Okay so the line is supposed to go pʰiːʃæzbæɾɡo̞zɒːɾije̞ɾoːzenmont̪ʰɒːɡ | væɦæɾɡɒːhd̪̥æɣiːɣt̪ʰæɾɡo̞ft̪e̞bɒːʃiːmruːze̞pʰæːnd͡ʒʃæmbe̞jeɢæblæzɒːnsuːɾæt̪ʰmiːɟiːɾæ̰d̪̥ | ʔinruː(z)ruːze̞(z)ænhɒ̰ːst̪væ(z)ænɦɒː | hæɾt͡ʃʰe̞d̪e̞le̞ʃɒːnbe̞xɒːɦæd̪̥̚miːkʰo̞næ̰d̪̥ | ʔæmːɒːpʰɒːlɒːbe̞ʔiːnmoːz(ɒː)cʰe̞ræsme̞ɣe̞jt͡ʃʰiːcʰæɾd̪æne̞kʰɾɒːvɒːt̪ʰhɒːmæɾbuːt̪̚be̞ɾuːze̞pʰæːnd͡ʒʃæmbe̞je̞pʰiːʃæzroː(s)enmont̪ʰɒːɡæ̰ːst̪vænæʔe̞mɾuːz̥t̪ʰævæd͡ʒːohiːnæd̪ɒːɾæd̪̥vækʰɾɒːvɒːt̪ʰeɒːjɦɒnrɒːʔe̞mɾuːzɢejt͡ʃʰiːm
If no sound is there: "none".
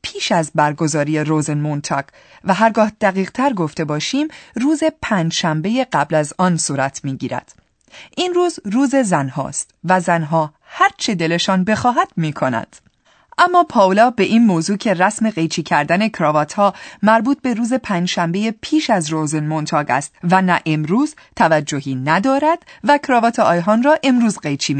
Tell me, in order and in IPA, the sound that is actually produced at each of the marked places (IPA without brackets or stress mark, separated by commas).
z, z, z, uː, z